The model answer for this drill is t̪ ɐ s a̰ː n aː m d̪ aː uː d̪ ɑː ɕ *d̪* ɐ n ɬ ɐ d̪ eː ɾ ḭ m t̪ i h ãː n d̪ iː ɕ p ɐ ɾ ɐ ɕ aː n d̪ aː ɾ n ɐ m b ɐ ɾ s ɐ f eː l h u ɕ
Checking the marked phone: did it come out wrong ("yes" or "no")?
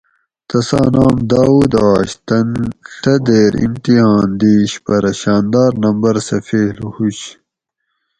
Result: yes